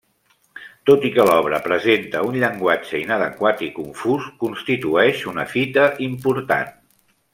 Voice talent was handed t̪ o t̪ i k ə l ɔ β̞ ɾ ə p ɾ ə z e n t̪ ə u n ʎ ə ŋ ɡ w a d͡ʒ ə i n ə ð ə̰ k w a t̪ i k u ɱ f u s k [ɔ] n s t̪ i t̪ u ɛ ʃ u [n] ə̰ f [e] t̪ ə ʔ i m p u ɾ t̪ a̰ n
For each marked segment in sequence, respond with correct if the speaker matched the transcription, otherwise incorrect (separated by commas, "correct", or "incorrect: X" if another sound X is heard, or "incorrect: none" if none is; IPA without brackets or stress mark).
incorrect: u, correct, incorrect: i